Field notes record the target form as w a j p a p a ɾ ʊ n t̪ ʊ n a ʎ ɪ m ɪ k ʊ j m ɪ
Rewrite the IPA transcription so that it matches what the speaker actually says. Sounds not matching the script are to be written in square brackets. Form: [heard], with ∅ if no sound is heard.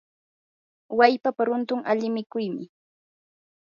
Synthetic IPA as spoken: w a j p a p a ɾ ʊ n t̪ ʊ [ŋ] a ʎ ɪ m ɪ k ʊ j m ɪ